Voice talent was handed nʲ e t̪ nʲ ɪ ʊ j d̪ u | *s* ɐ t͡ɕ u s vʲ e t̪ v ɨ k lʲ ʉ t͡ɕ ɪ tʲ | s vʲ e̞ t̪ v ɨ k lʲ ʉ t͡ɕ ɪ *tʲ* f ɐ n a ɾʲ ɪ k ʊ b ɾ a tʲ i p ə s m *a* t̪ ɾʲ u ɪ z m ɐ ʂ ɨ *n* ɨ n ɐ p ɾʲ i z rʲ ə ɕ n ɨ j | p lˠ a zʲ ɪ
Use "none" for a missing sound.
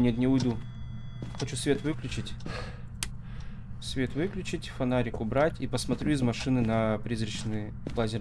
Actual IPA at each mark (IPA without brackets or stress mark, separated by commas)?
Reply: x, tʲ, ɐ, n